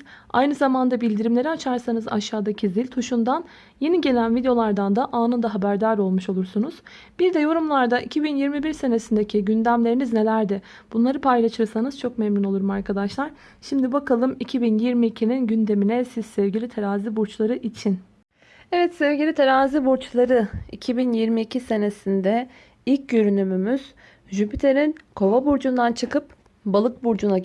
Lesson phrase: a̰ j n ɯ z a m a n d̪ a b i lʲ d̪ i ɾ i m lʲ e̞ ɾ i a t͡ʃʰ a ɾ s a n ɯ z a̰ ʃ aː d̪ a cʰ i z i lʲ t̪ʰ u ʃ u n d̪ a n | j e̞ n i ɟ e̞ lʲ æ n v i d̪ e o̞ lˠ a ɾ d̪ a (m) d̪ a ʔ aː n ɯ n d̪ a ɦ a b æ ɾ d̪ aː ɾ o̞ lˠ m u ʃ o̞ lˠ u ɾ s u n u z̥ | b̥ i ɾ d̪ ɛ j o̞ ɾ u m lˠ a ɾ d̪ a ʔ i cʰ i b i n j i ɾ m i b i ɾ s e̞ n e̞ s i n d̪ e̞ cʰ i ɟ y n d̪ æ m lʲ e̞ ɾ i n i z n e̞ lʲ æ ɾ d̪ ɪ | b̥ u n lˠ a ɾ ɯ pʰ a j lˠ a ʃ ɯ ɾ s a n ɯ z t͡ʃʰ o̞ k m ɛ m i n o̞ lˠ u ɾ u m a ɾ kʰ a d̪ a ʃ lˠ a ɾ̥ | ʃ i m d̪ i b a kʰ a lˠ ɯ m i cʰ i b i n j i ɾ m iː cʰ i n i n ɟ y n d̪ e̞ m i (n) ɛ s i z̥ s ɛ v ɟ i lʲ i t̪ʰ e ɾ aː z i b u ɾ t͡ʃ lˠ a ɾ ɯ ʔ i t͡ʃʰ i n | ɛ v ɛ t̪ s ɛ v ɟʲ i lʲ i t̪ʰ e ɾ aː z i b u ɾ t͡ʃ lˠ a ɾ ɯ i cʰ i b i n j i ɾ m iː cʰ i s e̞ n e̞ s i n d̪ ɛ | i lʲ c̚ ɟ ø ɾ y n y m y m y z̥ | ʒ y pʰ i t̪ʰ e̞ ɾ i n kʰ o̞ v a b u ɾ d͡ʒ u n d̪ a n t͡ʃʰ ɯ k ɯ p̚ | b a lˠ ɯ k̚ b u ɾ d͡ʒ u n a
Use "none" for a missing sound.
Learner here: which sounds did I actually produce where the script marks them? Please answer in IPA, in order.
n, n

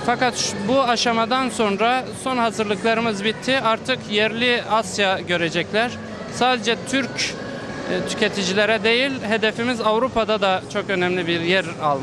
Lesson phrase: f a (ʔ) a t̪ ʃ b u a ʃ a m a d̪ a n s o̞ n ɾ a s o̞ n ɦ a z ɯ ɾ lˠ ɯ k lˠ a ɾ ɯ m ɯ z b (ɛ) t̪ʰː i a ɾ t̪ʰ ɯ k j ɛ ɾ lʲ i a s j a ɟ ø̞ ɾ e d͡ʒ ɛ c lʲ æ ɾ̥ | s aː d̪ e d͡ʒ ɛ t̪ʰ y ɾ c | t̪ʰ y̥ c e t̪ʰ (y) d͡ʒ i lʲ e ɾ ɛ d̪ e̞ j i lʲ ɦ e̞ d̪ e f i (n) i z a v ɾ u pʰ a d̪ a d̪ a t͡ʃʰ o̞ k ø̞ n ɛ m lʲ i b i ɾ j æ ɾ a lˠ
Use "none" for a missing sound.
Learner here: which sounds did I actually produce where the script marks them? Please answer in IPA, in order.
k, i, i, m

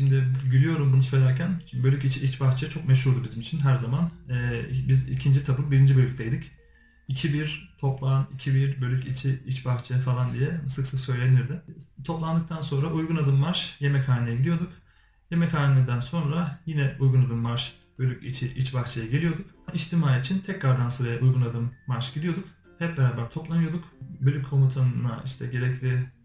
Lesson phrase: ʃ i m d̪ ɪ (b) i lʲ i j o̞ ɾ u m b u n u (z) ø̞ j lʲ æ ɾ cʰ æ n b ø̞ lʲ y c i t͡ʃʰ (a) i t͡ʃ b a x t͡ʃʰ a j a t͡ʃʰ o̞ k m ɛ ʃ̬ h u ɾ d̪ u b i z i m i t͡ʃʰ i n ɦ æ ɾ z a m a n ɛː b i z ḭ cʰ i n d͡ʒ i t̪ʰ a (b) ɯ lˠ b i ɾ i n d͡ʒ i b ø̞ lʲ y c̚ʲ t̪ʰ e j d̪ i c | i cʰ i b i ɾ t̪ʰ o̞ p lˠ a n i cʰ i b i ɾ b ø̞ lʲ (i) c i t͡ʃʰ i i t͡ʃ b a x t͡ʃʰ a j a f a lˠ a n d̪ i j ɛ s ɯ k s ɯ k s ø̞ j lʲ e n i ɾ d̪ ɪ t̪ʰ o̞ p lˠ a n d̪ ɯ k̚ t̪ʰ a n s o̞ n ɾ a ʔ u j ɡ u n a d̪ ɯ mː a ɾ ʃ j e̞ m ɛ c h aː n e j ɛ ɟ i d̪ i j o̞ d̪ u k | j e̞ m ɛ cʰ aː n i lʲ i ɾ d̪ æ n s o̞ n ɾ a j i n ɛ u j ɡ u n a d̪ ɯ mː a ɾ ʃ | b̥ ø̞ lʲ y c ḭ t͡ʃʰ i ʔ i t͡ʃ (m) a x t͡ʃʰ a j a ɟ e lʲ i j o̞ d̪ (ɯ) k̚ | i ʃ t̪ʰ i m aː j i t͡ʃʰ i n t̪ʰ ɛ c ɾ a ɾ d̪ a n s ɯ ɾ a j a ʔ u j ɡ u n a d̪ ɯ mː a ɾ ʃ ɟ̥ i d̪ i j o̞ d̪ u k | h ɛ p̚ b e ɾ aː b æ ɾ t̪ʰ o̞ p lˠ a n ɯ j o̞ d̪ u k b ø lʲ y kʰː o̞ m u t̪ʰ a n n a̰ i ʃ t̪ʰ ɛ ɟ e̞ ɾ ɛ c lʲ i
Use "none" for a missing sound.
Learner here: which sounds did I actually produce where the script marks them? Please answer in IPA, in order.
ɟ, s, i, b, y, b, u

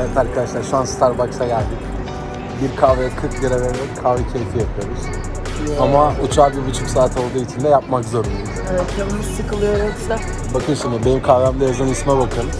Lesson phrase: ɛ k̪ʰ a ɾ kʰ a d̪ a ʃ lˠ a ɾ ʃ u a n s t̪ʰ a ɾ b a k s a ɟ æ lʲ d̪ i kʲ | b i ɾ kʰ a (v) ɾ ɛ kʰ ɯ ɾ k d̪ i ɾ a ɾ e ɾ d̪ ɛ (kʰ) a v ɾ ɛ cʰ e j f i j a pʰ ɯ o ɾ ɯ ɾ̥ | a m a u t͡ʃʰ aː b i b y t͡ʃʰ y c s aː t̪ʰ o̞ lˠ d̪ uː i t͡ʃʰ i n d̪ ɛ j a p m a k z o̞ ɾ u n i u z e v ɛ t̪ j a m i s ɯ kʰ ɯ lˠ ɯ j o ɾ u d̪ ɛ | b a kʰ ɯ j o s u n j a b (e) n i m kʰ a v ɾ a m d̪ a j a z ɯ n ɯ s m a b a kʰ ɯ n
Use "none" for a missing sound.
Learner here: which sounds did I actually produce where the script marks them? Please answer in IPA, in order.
v, kʰ, e

